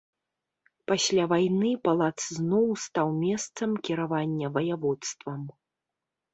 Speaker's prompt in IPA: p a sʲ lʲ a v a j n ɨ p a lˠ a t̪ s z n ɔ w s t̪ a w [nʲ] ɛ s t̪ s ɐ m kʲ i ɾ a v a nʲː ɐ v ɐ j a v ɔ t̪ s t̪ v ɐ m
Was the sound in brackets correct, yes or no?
no